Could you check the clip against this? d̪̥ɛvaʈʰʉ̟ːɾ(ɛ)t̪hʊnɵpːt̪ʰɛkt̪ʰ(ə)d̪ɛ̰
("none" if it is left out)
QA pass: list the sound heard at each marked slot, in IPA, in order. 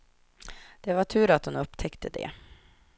a, ə

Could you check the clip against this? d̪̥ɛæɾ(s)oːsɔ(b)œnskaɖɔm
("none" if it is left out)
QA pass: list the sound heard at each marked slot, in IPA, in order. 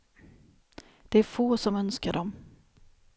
f, m

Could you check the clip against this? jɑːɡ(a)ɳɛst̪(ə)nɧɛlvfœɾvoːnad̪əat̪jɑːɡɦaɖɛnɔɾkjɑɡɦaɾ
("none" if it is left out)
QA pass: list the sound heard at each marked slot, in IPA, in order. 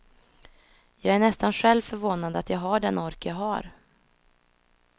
æ, a

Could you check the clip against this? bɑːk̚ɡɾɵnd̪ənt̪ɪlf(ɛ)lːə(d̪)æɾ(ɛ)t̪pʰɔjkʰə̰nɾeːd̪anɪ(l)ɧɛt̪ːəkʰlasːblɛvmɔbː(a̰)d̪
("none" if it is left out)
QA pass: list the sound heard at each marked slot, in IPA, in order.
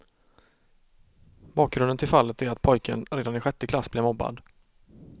a, t̪, a, none, a̰

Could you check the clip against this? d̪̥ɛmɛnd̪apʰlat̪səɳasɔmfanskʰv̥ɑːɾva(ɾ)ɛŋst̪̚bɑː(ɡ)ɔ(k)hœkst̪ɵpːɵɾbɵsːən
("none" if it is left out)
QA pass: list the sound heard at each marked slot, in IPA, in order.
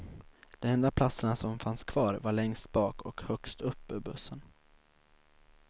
ɭ, k, k

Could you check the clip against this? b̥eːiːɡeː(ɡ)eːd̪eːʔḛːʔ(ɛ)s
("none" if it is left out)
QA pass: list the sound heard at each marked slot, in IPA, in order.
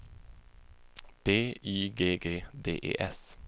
ɡ, ɛ

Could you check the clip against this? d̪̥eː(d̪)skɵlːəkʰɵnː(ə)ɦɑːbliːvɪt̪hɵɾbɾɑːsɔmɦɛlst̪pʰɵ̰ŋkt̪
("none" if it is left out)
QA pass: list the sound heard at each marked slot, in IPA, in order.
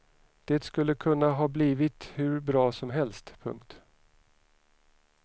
t̪, a

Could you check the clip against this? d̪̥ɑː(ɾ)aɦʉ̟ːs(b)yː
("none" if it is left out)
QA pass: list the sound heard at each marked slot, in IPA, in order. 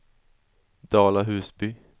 l, b

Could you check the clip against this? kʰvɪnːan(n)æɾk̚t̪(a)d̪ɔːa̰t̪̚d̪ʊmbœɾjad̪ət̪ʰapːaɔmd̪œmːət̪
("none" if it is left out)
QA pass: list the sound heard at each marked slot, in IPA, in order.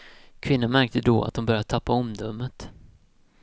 m, ə

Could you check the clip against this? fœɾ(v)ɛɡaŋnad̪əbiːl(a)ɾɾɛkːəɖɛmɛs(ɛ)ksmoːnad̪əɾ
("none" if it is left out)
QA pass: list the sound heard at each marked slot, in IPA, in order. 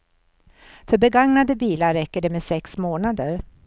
b, a, ɛ

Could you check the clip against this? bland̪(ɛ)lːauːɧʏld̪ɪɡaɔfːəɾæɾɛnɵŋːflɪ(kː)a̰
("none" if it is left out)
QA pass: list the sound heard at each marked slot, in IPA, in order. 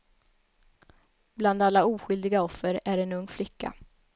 a, kː

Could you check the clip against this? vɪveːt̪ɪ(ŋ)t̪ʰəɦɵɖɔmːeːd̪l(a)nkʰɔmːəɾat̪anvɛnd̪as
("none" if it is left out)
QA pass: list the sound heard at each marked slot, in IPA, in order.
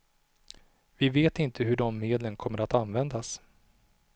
n, ə

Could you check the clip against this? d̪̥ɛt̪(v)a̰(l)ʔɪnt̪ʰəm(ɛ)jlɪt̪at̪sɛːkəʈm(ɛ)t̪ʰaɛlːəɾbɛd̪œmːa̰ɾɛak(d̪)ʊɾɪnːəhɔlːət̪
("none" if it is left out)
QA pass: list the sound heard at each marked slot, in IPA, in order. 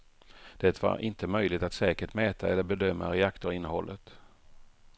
v, ɾ, œ, ɛː, t̪

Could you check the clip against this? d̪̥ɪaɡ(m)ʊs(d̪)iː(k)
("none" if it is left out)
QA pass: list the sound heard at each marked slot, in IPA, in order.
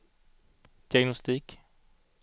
n, t̪, k

